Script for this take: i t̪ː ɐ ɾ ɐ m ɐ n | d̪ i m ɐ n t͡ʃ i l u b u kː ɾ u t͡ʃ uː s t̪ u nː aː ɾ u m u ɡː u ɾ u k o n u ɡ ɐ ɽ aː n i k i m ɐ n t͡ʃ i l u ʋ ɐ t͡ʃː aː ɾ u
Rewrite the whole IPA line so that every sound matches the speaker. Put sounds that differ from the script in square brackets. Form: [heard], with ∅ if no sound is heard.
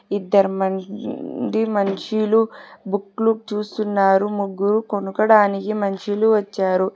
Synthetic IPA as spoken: i [d̪ː] ɐ ɾ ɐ m ɐ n | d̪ i m ɐ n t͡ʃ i l u b u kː [l] u t͡ʃ uː s t̪ u nː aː ɾ u m u ɡː u ɾ u k o n u [k] ɐ ɽ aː n i k i m ɐ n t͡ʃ i l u ʋ ɐ t͡ʃː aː ɾ u

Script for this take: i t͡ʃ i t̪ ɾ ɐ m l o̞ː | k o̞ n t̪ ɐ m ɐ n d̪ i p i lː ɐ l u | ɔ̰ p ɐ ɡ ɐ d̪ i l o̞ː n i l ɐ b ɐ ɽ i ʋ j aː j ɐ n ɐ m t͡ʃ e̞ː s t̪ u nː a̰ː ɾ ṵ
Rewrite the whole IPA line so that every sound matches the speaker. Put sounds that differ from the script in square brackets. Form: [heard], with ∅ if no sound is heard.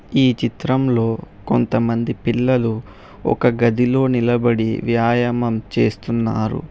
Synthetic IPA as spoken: [iː] t͡ʃ i t̪ ɾ ɐ m l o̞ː | k o̞ n t̪ ɐ m ɐ n d̪ i p i lː ɐ l u | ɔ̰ [k] ɐ ɡ ɐ d̪ i l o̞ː n i l ɐ b ɐ ɽ i ʋ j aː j ɐ [m] ɐ m t͡ʃ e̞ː s t̪ u nː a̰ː ɾ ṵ

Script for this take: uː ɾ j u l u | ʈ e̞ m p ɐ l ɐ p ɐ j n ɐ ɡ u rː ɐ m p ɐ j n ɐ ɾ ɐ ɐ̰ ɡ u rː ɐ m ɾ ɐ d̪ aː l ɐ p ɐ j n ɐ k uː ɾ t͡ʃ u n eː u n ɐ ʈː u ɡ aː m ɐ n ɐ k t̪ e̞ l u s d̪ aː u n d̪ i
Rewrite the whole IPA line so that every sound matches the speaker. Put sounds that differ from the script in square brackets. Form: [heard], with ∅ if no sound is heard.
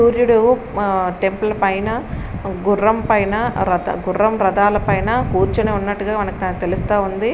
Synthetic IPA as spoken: uː ɾ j u [ɽ] u | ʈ e̞ m p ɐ l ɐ p ɐ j n ɐ ɡ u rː ɐ m p ɐ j n ɐ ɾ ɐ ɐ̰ ɡ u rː ɐ m ɾ ɐ d̪ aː l ɐ p ɐ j n ɐ k uː ɾ t͡ʃ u n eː u [nː] ɐ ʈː u ɡ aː m ɐ n ɐ k t̪ e̞ l u s [t̪] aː u n d̪ i

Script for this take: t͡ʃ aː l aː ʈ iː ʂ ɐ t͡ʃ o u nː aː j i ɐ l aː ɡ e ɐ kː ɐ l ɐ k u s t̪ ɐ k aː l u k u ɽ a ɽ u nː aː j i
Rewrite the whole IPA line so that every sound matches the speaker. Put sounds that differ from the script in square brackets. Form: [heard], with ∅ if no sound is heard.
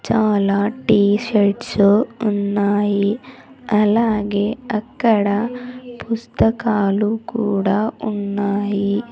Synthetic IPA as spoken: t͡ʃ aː l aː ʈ iː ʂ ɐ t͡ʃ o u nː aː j i ɐ l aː ɡ e ɐ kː ɐ [ɽ] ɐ [p] u s t̪ ɐ k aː l u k [uː] ɽ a [∅] u nː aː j i

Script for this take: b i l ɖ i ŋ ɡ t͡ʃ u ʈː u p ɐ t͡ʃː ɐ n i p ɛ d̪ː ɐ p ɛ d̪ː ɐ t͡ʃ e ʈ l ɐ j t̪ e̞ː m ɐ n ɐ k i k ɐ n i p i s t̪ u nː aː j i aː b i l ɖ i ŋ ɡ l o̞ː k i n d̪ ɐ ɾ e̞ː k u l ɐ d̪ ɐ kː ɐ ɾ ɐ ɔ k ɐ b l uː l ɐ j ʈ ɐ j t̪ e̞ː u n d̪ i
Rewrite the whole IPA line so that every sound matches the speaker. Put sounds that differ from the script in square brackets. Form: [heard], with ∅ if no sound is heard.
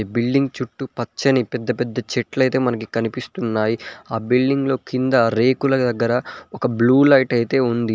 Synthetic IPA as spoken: b i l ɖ i ŋ ɡ t͡ʃ u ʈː u p ɐ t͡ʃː ɐ n i p ɛ d̪ː ɐ p ɛ d̪ː ɐ t͡ʃ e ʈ l ɐ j t̪ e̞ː m ɐ n ɐ k i k ɐ n i p i s t̪ u nː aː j i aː b i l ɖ i ŋ ɡ l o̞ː k i n d̪ ɐ ɾ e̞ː k u l ɐ d̪ ɐ [ɡː] ɐ ɾ ɐ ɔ k ɐ b l uː l ɐ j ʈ ɐ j t̪ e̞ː u n d̪ i

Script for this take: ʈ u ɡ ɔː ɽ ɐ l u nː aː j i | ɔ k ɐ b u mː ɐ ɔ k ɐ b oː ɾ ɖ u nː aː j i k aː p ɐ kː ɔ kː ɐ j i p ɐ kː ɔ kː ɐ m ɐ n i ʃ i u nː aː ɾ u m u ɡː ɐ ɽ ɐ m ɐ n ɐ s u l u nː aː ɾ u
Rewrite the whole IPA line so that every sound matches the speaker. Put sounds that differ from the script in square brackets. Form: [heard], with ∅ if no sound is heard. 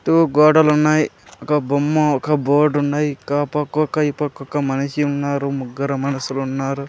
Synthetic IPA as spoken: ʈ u ɡ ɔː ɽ ɐ l u nː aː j i | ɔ k ɐ b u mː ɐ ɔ k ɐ b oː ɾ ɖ u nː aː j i k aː p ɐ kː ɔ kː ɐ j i p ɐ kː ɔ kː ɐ m ɐ n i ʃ i u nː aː ɾ u m u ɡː ɐ [ɾ] ɐ m ɐ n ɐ s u l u nː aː ɾ u

